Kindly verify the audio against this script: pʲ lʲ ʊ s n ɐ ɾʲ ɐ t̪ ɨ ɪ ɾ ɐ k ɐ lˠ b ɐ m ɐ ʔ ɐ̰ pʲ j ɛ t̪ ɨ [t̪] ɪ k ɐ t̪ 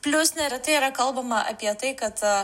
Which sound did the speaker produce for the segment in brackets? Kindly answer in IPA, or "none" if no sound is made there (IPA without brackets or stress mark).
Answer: none